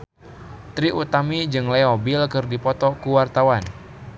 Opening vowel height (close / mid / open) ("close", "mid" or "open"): close